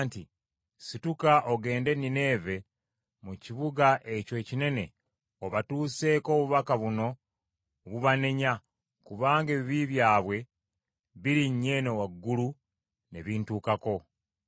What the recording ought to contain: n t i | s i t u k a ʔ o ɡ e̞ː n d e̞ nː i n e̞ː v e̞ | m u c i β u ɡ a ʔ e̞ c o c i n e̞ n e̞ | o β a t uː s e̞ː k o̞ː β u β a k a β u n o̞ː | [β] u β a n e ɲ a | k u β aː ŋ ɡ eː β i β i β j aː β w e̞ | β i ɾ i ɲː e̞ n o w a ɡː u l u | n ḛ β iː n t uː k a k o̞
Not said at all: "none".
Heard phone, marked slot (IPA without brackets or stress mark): β